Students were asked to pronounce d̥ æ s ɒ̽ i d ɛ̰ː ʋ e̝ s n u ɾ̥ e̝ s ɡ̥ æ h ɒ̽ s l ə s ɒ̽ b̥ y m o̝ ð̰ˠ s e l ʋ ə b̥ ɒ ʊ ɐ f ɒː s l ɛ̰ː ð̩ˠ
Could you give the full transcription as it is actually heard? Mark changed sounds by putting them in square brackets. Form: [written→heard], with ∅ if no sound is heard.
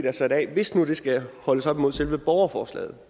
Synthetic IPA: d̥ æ s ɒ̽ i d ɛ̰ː ʋ e̝ s n u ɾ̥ e̝ s ɡ̥ æ h ɒ̽ [s→∅] l ə s ɒ̽ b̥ [y→i] m o̝ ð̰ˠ s e l ʋ ə b̥ ɒ ʊ ɐ f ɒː s l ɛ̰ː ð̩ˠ